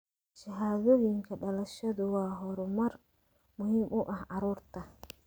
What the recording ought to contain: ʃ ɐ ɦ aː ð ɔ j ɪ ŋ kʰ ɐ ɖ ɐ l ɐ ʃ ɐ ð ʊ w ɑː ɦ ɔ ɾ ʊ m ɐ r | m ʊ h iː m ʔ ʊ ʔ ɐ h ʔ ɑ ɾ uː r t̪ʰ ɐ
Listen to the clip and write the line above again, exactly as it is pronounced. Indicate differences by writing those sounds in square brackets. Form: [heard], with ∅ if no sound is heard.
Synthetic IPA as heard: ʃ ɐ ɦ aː ð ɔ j ɪ ŋ kʰ ɐ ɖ ɐ l ɐ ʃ ɐ ð ʊ w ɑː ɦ ɔ ɾ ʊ m ɐ r | m ʊ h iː m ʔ ʊ ʔ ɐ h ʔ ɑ ɾ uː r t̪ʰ ɐ

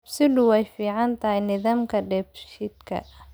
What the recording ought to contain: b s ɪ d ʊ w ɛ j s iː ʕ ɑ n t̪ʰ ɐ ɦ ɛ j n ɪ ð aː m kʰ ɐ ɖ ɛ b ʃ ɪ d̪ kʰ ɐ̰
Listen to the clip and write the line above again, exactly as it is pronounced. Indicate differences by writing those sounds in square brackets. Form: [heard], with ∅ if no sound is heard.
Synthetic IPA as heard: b s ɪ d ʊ w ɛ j [f] iː ʕ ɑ n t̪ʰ ɐ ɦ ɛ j n ɪ ð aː m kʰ ɐ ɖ ɛ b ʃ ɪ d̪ kʰ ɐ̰

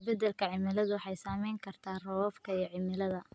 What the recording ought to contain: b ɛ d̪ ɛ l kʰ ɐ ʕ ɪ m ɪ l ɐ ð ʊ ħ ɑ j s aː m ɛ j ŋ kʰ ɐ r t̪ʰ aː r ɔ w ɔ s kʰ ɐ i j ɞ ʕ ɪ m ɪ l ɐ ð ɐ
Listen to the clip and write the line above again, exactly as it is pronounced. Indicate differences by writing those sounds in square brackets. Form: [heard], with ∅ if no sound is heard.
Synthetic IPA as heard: b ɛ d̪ ɛ l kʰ ɐ ʕ ɪ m ɪ l ɐ ð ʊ ħ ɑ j s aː m ɛ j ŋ kʰ ɐ r t̪ʰ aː r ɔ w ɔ [f] kʰ ɐ i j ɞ ʕ ɪ m ɪ l ɐ ð ɐ

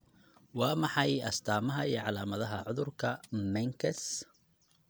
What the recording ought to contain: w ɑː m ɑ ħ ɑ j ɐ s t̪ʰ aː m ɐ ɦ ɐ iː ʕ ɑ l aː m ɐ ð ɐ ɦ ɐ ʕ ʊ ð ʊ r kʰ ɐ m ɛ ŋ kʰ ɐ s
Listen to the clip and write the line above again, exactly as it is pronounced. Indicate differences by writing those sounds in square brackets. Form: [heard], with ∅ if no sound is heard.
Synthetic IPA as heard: w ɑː m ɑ ħ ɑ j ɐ s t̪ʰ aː m ɐ ɦ ɐ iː ʕ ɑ l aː m ɐ ð ɐ ɦ ɐ ʕ ʊ ð ʊ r kʰ ɐ m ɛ ŋ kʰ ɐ s

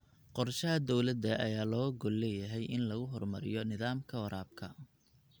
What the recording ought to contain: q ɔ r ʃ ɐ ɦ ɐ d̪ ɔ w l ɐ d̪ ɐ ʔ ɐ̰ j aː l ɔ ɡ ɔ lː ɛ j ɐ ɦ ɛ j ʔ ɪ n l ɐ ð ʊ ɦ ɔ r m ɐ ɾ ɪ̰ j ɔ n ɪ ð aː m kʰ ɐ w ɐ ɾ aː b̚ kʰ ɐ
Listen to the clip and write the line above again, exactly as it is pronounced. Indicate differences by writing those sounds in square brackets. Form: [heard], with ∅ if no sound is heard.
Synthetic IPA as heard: q ɔ r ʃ ɐ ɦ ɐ d̪ ɔ w l ɐ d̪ ɐ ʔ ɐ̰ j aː l [ɔː] ɡ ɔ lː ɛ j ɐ ɦ ɛ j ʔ ɪ n l ɐ [ɣ] ʊ ɦ ɔ r m ɐ ɾ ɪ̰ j ɔ n ɪ ð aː m kʰ ɐ w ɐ ɾ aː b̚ kʰ ɐ

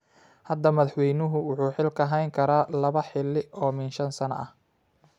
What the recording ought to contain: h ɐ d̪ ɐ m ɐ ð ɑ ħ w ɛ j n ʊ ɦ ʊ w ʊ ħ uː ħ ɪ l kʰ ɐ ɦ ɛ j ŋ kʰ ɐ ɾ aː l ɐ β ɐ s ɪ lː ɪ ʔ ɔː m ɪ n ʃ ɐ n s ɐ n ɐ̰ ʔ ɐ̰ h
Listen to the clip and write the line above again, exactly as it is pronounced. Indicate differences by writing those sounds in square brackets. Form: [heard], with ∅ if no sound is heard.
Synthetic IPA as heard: h ɐ d̪ ɐ m ɐ ð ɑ ħ w ɛ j n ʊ ɦ ʊ w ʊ ħ uː ħ ɪ l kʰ ɐ ɦ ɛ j ŋ kʰ ɐ ɾ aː l ɐ β ɐ [ħ] ɪ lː ɪ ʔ ɔː m ɪ n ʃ ɐ n s ɐ n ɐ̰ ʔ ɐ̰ h

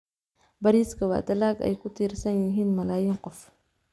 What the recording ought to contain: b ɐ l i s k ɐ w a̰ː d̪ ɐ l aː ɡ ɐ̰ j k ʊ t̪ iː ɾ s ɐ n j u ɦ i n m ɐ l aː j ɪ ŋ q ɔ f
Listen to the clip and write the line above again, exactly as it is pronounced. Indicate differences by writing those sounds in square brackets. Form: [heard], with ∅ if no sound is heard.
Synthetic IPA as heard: b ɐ [ɾ] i s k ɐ w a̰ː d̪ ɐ l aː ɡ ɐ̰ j k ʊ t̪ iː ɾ s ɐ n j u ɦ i n m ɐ l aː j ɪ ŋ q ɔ f

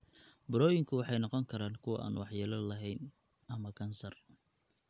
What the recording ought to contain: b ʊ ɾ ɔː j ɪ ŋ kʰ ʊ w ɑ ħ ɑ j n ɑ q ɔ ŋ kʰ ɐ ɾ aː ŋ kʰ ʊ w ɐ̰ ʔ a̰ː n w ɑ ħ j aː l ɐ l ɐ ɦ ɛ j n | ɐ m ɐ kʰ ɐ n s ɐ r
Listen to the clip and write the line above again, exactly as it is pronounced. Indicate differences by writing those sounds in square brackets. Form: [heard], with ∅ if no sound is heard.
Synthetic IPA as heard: b ʊ ɾ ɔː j ɪ ŋ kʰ ʊ w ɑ ħ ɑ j n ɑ q ɔ ŋ kʰ ɐ ɾ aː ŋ kʰ ʊ w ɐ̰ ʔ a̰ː n w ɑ ħ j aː l ɐ l ɐ ɦ ɛ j n | ɐ m ɐ kʰ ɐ n s ɐ r

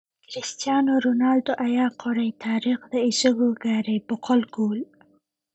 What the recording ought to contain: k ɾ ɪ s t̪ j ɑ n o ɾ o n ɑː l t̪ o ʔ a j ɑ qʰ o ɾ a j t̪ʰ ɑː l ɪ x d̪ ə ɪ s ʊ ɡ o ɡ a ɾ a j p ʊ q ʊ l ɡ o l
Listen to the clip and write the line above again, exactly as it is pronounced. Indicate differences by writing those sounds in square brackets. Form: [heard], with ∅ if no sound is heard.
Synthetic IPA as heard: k ɾ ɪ s t̪ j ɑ n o ɾ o n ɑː l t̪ o ʔ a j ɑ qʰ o ɾ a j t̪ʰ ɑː [ɾ] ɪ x d̪ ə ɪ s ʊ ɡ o ɡ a ɾ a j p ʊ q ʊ l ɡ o l

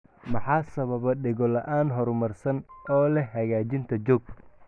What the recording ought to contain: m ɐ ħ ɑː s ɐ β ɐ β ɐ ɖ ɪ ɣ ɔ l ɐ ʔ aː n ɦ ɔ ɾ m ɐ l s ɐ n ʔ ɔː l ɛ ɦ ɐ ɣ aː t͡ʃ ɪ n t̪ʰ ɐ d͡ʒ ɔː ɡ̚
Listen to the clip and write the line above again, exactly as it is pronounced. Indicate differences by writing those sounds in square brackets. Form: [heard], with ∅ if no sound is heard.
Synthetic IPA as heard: m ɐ ħ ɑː s ɐ β ɐ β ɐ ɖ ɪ ɣ ɔ l ɐ ʔ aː n ɦ ɔ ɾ m ɐ [r] s ɐ n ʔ ɔː l ɛ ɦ ɐ ɣ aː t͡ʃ ɪ n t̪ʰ ɐ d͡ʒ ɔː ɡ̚

